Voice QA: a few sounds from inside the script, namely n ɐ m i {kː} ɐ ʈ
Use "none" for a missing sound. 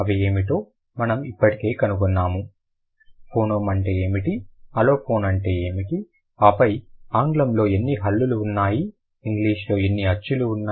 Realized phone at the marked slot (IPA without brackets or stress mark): pː